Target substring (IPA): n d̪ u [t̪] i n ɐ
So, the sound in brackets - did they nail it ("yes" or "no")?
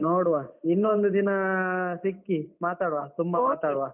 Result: no